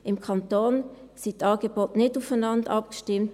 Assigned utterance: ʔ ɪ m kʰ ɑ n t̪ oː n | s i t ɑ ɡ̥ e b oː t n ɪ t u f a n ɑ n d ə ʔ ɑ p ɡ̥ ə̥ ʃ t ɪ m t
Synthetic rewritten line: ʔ ɪ m kʰ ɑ n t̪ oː n | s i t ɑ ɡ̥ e b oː t n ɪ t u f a n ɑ n d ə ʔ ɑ p ɡ̥ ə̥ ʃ t ɪ m t